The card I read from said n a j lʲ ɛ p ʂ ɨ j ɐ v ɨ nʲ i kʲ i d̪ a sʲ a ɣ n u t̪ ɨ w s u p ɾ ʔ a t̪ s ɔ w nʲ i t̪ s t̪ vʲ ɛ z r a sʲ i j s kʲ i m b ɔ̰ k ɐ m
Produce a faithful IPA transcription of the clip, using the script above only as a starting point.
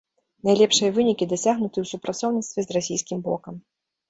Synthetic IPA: n a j lʲ ɛ p ʂ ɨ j ɐ v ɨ nʲ i kʲ i d̪ a sʲ a ɣ n u t̪ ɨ w s u p ɾ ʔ a t̪ s ɔ w nʲ i t̪ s t̪ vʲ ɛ z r a sʲ i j s kʲ i m b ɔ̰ k ɐ m